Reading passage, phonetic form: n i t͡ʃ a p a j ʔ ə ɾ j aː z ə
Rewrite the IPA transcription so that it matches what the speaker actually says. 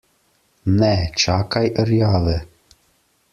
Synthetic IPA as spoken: n ɛ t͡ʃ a k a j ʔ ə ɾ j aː ð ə